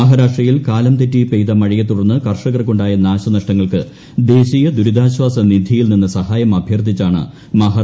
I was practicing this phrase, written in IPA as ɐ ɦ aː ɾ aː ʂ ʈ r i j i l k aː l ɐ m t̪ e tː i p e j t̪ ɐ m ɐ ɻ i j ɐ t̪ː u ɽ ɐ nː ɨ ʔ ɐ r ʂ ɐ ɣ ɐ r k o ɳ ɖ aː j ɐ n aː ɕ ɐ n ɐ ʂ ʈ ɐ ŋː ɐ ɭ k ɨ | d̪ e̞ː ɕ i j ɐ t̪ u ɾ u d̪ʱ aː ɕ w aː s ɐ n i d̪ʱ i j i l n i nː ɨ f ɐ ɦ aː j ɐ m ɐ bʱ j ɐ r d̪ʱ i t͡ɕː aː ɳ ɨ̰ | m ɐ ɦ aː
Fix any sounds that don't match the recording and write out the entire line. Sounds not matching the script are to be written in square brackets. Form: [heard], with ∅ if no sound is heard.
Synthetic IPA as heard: ɐ ɦ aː ɾ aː ʂ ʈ r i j i l k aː l ɐ m t̪ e tː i p e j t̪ ɐ m ɐ ɻ i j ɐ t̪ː u ɽ ɐ nː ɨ [k] ɐ r ʂ ɐ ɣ ɐ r k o ɳ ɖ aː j ɐ n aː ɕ ɐ n ɐ ʂ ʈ ɐ ŋː ɐ ɭ k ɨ | d̪ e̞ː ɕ i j ɐ [d̪] u ɾ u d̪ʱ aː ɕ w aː s ɐ n i d̪ʱ i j i l n i nː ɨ [s] ɐ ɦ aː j ɐ m ɐ bʱ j ɐ r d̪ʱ i t͡ɕː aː ɳ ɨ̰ | m ɐ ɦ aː